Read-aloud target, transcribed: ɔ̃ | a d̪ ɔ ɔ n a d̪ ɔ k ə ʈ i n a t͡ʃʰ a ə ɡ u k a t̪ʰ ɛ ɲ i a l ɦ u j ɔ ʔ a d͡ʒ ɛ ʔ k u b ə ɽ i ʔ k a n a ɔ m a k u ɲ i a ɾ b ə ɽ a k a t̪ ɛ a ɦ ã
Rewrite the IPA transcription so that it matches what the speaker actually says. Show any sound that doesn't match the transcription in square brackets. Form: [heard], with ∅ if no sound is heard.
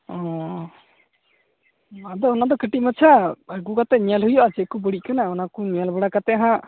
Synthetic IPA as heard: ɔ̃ | a d̪ ɔ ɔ n a d̪ ɔ k ə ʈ i [m] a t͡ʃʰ a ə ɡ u k a [t̪] ɛ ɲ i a l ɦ u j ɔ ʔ a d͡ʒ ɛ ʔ k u b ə ɽ i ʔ k a n a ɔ [n] a k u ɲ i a [l] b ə ɽ a k a t̪ ɛ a ɦ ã